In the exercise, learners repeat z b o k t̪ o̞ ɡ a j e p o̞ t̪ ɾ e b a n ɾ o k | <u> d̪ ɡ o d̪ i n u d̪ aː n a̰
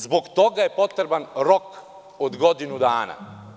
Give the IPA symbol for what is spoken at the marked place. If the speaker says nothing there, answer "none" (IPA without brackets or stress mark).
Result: o